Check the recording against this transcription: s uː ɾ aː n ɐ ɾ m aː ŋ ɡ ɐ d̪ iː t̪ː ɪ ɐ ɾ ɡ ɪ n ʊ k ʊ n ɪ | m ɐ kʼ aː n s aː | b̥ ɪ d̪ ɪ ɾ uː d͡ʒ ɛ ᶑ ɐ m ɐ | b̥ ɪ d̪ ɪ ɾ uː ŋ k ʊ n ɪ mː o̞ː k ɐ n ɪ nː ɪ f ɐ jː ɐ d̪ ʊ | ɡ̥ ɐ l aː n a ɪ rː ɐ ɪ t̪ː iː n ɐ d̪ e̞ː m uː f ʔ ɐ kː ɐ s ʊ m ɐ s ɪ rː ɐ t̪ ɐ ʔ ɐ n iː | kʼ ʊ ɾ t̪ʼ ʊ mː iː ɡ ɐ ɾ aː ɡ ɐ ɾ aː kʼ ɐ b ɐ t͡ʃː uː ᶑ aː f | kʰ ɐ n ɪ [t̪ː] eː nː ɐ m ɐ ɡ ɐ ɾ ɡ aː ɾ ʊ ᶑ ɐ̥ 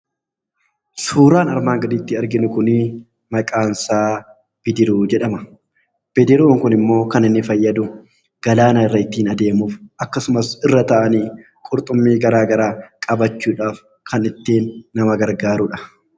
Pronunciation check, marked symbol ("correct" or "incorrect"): correct